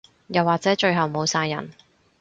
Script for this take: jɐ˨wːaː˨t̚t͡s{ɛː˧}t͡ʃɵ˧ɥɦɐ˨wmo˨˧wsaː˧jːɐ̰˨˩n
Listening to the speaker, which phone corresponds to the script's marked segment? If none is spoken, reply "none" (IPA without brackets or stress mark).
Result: ɛː˨˥